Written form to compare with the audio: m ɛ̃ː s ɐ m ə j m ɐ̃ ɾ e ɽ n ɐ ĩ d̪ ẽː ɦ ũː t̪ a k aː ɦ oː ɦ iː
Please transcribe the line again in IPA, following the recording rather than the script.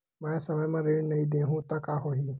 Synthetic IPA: m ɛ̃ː s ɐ m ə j m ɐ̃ ɾ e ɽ n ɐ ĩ d̪ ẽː ɦ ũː t̪ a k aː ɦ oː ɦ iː

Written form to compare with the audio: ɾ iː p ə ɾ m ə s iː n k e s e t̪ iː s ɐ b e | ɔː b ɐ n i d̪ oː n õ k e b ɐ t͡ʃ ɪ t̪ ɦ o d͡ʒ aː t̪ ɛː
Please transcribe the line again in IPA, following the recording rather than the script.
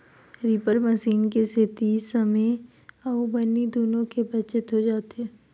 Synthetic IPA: ɾ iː p ə ɾ m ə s iː n k e s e t̪ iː s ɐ m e | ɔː b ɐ n i d̪ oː n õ k e b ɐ t͡ʃ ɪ t̪ ɦ o d͡ʒ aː t̪ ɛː

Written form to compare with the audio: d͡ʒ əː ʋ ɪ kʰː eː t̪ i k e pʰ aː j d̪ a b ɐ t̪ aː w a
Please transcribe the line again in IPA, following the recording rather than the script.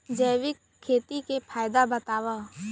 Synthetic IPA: d͡ʒ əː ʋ ɪ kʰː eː t̪ i k e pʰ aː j d̪ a b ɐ t̪ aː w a

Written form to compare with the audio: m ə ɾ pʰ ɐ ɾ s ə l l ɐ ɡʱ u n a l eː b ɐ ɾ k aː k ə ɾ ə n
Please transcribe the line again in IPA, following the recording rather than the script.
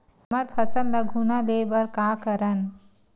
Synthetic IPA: m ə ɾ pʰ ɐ s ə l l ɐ ɡʱ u n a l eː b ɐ ɾ k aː k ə ɾ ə n

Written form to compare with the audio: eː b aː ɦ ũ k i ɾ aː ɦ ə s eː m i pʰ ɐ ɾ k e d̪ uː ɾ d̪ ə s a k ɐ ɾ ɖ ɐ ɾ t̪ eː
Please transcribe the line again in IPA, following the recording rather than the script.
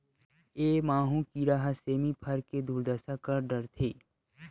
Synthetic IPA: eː m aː ɦ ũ k i ɾ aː ɦ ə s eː m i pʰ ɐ ɾ k e d̪ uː ɾ d̪ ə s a k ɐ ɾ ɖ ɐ ɾ t̪ʰ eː

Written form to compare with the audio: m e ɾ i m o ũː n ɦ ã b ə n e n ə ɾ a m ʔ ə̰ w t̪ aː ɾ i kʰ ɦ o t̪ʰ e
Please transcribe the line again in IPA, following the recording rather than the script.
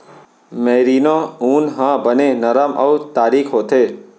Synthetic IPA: m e ɾ i n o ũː n ɦ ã b ə n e n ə ɾ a m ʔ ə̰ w t̪ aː ɾ i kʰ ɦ o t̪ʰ e

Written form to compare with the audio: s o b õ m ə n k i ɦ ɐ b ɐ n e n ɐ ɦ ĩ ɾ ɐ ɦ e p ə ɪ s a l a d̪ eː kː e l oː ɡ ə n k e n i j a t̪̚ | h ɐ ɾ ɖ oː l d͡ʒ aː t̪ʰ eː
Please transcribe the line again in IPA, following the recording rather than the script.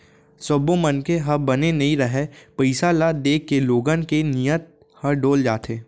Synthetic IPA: s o b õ m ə n k e ɦ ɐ b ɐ n e n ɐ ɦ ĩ ɾ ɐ ɦ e p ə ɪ s a l a d̪ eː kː e l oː ɡ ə n k e n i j ə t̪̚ | h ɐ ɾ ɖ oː l d͡ʒ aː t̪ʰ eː

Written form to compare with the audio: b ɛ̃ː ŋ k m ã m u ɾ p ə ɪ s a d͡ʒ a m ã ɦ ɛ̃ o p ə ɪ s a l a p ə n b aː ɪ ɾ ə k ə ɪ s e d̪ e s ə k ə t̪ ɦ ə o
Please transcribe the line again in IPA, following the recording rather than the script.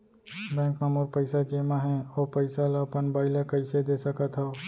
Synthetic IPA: b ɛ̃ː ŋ k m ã m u ɾ p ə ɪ s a d͡ʒ e m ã ɦ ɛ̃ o p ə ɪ s a l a p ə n b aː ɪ l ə k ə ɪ s e d̪ e s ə k ə t̪ ɦ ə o

